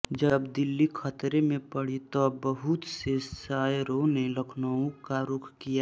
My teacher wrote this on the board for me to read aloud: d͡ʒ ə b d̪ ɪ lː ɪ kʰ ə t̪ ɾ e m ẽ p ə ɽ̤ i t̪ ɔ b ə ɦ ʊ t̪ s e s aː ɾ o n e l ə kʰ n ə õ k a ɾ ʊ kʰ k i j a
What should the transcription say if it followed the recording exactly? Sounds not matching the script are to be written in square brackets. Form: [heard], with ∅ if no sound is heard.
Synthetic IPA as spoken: d͡ʒ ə b d̪ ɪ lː [i] kʰ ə t̪ ɾ e m ẽ p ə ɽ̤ i t̪ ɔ b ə ɦ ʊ t̪ s e s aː ɾ o n e l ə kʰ n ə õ k a ɾ ʊ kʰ k i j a